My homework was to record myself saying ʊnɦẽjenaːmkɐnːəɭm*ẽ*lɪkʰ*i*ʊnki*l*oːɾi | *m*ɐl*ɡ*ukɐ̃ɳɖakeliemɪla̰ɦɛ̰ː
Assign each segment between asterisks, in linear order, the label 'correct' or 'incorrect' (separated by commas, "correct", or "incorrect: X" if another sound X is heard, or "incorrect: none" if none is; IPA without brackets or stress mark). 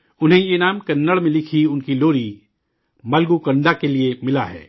correct, correct, correct, correct, correct